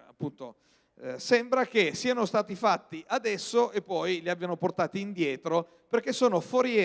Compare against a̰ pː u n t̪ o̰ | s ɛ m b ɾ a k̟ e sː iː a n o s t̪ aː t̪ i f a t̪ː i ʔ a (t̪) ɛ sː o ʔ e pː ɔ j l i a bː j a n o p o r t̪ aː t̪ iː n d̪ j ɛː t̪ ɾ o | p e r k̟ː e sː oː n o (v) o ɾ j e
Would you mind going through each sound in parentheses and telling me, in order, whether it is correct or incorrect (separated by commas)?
incorrect, incorrect